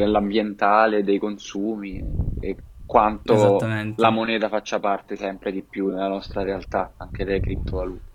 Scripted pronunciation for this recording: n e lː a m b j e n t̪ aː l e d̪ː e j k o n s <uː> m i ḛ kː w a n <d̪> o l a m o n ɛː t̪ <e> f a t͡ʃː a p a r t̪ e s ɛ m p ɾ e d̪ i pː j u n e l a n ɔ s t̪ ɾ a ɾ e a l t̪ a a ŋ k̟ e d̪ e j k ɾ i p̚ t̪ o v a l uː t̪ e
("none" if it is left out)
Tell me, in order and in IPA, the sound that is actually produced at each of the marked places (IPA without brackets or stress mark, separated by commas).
uː, t̪, a